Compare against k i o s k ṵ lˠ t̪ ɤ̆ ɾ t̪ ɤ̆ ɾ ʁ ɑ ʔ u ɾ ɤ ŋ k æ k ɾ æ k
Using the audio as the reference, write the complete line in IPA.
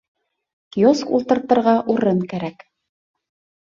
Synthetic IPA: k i o s k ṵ lˠ t̪ ɤ̆ ɾ t̪ ɤ̆ ɾ ʁ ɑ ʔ u ɾ ɤ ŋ k æ ɾ æ k